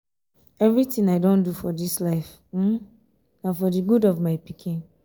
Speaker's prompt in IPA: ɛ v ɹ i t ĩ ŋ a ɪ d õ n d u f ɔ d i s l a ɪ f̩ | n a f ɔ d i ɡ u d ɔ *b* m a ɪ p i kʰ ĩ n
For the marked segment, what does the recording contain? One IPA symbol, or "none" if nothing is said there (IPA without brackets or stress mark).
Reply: v